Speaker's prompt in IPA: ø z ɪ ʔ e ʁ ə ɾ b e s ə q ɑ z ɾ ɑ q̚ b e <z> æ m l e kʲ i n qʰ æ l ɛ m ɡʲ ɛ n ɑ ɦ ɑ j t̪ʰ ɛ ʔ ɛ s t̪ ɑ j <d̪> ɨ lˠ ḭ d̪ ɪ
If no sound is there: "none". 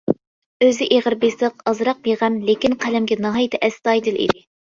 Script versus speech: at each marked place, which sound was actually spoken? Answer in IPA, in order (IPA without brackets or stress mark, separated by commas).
ʁ, d̪